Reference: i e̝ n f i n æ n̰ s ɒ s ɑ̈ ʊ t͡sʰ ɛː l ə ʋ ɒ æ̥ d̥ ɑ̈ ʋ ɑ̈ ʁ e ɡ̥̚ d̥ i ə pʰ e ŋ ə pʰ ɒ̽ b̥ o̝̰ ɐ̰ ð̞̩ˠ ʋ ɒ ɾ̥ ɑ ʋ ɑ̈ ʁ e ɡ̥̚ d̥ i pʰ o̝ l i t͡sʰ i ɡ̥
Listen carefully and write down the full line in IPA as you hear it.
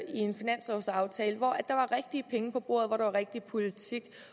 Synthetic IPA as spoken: i e̝ n f i n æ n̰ s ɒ s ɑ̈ ʊ t͡sʰ ɛː l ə ʋ ɒ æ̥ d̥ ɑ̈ ʋ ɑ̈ ʁ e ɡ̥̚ d̥ i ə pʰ e ŋ ə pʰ ɒ̽ b̥ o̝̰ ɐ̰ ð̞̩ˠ ʋ ɒ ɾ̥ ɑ ʋ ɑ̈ ʁ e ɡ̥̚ d̥ i pʰ o̝ l i t͡sʰ i ɡ̥